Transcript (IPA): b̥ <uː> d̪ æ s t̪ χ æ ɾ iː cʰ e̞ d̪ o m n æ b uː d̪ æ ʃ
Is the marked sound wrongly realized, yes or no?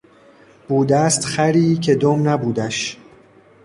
no